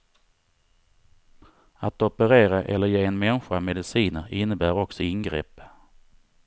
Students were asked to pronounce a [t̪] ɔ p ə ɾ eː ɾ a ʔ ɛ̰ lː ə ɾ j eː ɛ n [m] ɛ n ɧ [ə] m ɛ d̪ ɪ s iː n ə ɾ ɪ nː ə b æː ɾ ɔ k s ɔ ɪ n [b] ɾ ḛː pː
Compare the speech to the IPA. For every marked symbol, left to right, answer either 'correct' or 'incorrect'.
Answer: correct, correct, incorrect: a, incorrect: ɡ

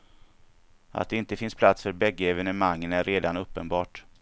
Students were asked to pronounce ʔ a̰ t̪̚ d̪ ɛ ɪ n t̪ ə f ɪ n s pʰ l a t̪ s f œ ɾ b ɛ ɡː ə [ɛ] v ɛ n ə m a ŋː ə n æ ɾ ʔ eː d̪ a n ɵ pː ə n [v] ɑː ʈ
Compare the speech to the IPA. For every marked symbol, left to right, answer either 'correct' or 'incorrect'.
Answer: correct, incorrect: b

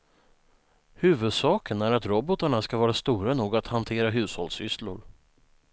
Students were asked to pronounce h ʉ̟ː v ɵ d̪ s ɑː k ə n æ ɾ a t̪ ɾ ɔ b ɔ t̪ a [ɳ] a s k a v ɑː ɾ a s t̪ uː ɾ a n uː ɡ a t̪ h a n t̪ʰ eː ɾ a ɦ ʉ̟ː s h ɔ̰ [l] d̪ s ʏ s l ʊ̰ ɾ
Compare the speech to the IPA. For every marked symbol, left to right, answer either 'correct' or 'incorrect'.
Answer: correct, correct

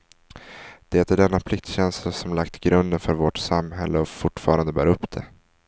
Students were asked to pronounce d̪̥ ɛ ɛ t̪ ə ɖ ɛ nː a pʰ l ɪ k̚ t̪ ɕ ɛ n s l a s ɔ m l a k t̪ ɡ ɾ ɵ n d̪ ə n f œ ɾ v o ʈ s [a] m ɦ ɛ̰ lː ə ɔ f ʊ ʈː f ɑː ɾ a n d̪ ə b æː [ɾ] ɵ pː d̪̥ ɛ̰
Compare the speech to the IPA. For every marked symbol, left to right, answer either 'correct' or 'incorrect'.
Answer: correct, correct

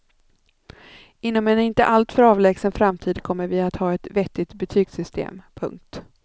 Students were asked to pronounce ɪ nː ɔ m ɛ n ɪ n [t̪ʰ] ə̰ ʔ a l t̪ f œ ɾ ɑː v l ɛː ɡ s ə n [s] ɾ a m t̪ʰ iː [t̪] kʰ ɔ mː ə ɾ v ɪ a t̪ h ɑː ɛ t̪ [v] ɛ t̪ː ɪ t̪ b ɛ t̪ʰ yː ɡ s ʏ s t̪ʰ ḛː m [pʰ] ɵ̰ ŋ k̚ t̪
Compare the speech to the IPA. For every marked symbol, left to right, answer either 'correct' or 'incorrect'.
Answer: incorrect: t̪, incorrect: f, incorrect: d̪, correct, correct

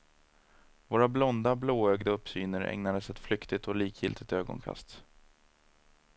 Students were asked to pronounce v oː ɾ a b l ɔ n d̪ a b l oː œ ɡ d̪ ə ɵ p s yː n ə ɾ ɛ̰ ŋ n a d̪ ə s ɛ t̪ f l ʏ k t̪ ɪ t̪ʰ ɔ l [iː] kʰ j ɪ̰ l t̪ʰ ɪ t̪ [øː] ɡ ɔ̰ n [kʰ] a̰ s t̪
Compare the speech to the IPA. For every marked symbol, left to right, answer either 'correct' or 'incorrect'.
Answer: correct, correct, correct

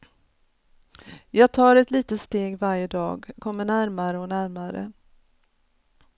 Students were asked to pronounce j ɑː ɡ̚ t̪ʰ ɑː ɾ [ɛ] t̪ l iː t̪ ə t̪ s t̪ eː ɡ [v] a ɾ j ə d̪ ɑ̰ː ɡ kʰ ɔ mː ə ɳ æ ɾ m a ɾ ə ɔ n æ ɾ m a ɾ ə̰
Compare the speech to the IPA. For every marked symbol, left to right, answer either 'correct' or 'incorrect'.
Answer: correct, correct

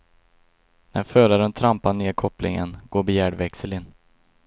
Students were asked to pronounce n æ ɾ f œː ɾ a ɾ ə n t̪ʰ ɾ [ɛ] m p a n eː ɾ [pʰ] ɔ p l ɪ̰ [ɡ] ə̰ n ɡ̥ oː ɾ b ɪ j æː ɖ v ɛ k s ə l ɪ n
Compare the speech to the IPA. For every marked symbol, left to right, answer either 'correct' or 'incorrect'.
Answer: incorrect: a, incorrect: kʰ, incorrect: ŋ

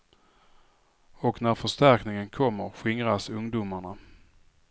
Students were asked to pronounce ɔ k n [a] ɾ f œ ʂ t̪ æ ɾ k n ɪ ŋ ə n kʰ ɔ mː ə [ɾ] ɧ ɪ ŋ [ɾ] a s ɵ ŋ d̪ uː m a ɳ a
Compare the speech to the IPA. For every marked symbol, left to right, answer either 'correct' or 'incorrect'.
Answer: incorrect: æ, correct, correct

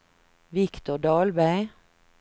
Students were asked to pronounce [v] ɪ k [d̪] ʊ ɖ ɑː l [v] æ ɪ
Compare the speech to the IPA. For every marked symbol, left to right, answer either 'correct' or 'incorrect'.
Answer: incorrect: ʋ, incorrect: t̪, incorrect: b

